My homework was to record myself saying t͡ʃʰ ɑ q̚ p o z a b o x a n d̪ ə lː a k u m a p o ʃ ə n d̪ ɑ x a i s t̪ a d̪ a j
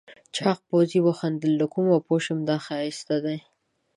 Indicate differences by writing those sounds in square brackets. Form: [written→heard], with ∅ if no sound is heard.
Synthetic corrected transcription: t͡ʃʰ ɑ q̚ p o z [a→i] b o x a n d̪ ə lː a k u m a p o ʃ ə [n→m] d̪ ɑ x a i s t̪ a d̪ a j